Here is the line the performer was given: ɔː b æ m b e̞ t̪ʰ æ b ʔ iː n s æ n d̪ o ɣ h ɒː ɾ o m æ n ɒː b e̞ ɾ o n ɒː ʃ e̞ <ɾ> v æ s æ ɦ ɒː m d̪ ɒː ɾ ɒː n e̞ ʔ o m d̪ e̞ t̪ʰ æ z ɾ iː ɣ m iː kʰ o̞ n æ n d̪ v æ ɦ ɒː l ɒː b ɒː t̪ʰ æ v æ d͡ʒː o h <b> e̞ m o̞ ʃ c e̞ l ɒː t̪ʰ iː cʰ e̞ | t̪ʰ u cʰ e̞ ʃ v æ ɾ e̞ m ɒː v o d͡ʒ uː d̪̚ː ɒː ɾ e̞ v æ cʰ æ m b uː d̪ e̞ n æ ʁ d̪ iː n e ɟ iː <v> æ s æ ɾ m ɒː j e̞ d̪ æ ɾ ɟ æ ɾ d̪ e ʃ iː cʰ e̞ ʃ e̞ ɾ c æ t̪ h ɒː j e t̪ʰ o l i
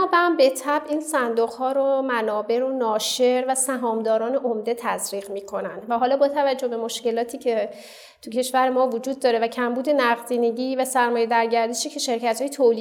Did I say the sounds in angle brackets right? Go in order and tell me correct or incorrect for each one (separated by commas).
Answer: correct, correct, correct